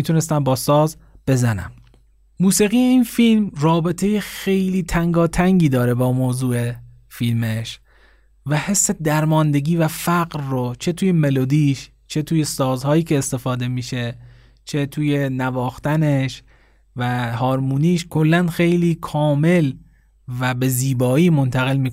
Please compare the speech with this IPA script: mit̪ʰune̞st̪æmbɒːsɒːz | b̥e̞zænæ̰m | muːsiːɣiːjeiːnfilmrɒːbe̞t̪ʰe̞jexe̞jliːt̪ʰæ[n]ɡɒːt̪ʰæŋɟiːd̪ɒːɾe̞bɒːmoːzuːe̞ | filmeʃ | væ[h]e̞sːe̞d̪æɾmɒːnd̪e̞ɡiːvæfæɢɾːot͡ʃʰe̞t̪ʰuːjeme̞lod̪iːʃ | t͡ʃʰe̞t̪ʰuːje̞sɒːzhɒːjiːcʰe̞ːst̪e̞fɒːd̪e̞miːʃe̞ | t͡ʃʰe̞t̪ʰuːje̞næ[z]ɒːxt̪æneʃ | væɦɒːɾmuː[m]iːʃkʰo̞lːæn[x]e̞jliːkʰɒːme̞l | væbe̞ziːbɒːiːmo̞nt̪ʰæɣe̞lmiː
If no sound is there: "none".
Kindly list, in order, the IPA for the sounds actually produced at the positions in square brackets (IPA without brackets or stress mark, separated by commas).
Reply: ŋ, h, v, n, x